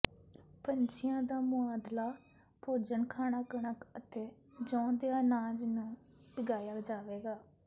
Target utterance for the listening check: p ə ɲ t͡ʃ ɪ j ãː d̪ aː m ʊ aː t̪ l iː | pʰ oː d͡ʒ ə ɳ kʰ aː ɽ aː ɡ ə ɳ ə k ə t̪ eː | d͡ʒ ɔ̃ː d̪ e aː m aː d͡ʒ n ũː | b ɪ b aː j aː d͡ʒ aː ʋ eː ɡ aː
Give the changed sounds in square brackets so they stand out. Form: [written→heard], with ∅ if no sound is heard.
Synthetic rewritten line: p ə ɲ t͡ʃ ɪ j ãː d̪ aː m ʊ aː [t̪→d̪] l [iː→aː] | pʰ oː d͡ʒ ə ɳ kʰ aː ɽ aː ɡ ə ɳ ə k ə t̪ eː | d͡ʒ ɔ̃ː d̪ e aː [m→n] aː d͡ʒ n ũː | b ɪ [b→ɡ] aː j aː d͡ʒ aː ʋ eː ɡ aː

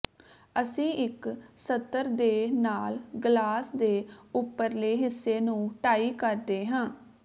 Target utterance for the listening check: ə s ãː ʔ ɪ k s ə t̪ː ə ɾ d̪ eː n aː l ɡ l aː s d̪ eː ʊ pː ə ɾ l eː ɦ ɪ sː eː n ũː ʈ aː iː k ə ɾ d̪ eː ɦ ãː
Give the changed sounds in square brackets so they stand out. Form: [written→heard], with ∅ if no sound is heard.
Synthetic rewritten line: ə s [ãː→ĩː] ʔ ɪ k s ə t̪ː ə ɾ d̪ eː n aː l ɡ l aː s d̪ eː ʊ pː ə ɾ l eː ɦ ɪ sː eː n ũː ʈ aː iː k ə ɾ d̪ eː ɦ ãː

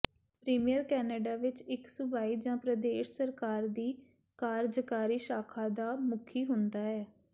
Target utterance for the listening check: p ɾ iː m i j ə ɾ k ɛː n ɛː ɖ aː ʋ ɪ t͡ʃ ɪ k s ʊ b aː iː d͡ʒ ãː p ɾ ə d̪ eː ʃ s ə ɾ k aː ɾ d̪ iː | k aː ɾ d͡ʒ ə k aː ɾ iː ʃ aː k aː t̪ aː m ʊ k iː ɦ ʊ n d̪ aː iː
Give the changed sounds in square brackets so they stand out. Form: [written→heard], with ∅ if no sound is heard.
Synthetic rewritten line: p ɾ iː m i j ə ɾ k ɛː n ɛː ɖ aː ʋ ɪ t͡ʃ ɪ k s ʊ b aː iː d͡ʒ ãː p ɾ ə d̪ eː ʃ s ə ɾ k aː ɾ d̪ iː | k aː ɾ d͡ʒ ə k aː ɾ iː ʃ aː [k→kʰ] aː [t̪→d̪] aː m ʊ [k→kʰ] iː ɦ ʊ n d̪ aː [iː→ɛː]

